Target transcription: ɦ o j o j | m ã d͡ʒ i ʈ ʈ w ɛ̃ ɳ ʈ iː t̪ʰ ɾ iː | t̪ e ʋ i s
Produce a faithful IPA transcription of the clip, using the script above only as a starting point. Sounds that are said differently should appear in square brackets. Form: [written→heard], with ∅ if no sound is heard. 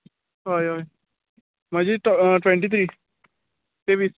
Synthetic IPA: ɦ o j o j | m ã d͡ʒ i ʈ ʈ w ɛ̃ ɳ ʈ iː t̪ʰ ɾ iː | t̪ e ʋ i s